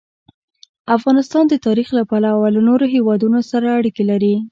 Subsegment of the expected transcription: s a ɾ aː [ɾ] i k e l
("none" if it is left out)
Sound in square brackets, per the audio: ɽ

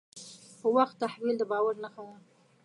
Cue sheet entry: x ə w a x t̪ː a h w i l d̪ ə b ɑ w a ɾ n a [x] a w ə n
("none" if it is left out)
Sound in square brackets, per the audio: x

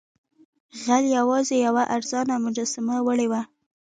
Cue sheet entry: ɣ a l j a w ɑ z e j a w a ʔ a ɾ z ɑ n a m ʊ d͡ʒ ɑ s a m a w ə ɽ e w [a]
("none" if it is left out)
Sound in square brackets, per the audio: a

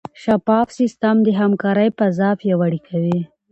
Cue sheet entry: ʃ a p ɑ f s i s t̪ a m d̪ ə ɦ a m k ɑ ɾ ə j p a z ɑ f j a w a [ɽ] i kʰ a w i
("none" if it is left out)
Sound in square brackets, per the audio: ɽ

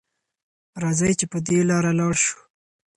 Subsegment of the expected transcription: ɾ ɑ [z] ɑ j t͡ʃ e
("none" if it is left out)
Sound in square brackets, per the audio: z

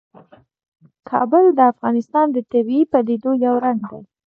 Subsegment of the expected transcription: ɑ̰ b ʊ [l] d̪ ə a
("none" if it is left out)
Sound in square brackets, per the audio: l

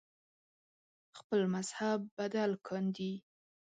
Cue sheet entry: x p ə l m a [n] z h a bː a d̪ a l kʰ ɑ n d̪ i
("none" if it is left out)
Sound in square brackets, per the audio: none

